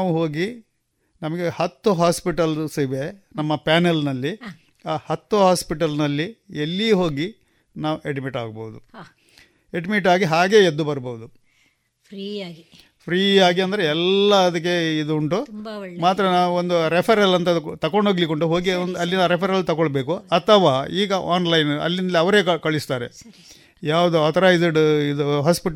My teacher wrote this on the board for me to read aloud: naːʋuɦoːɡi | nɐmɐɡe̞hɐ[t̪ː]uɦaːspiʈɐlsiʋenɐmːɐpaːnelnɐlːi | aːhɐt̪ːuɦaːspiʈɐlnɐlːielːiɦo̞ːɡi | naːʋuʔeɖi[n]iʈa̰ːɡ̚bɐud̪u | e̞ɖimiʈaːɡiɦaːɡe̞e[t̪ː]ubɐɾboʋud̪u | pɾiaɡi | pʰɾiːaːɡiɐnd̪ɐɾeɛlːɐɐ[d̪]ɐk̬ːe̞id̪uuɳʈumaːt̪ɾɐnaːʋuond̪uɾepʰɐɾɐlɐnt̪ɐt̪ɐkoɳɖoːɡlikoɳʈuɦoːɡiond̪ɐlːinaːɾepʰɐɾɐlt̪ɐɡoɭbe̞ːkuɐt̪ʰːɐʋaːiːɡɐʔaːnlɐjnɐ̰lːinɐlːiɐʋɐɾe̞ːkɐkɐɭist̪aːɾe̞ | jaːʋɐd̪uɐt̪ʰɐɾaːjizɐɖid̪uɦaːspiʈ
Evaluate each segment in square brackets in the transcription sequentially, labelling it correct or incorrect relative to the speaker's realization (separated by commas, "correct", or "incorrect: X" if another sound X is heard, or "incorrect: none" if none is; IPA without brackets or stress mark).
correct, incorrect: m, incorrect: d̪ː, correct